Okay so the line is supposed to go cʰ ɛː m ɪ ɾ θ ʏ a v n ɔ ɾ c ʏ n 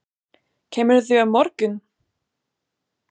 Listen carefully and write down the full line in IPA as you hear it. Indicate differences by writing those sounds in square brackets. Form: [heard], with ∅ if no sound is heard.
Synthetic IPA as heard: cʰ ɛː m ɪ ɾ θ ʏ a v [m] ɔ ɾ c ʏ n